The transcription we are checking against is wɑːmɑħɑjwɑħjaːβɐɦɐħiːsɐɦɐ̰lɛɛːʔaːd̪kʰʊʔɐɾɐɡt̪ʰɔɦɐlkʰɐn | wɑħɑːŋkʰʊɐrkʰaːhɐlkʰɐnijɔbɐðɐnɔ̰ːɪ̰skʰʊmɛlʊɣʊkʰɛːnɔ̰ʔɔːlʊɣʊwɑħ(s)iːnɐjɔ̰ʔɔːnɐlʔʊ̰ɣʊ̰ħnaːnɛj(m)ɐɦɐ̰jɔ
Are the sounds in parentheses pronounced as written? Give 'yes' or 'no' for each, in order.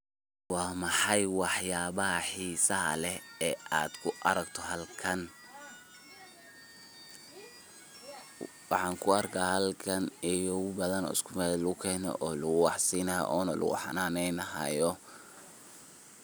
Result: yes, no

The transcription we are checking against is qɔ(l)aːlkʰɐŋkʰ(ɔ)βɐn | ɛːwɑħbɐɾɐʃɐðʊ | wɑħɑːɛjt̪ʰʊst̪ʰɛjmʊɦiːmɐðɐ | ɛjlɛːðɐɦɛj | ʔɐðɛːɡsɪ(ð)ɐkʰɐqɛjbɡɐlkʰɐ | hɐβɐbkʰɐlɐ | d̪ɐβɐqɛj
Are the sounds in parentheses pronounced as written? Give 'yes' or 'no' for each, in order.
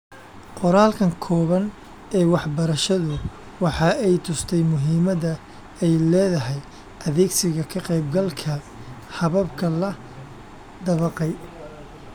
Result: no, no, no

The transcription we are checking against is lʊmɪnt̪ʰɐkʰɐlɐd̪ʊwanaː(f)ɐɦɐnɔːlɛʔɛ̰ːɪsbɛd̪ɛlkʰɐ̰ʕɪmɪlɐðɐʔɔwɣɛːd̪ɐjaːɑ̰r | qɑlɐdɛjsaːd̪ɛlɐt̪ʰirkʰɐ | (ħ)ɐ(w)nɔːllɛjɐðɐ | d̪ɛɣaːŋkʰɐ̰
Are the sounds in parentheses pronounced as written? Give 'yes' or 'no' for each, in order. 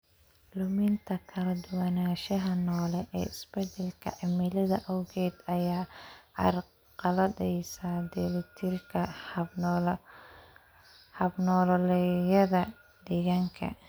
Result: no, no, no

